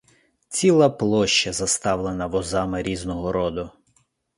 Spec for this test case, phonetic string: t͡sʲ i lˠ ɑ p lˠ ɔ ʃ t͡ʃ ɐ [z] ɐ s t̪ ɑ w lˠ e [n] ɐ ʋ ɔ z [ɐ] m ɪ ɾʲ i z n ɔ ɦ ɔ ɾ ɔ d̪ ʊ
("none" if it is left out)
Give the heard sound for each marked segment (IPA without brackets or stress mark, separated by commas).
z, n, ɑ